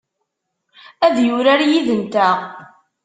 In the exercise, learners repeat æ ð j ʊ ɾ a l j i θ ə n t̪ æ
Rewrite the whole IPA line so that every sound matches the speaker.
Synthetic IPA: æ ð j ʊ ɾ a ɾ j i ð ə n t̪ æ